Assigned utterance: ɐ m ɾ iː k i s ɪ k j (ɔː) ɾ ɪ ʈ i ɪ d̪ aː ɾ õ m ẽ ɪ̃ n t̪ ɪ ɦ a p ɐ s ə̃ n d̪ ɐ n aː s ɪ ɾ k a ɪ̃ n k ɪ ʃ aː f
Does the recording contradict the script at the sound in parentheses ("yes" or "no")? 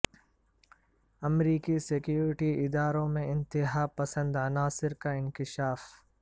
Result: yes